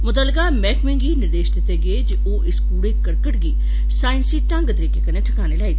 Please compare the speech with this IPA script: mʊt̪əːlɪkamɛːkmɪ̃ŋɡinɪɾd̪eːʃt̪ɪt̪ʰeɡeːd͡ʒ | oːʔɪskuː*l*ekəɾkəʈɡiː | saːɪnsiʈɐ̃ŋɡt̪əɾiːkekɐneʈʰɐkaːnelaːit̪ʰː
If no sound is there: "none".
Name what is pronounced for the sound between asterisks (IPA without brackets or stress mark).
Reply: ɽ